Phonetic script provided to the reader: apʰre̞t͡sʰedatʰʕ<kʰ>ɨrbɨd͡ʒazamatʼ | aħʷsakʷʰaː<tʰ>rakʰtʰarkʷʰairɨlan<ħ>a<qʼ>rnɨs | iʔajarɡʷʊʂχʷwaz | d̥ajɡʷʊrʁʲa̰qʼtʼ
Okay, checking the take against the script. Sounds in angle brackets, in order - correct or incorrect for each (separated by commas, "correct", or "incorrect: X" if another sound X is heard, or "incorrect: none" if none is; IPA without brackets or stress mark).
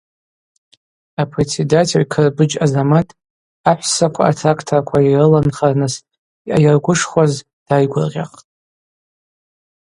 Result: correct, correct, incorrect: χ, incorrect: none